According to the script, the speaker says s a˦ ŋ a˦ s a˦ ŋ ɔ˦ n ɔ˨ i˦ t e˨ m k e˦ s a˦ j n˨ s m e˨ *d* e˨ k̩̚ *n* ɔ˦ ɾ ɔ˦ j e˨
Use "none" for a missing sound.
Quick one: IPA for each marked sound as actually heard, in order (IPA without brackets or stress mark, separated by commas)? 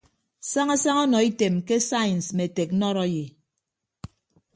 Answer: t, n